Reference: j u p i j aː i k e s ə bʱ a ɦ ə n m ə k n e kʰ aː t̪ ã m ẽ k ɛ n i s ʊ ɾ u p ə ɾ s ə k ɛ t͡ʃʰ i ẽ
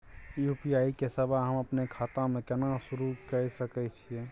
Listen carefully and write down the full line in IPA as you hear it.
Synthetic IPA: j u p i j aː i k e s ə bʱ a ɦ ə m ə p n e kʰ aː t̪ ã m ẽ k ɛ n a s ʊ ɾ u k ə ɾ s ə k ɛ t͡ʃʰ i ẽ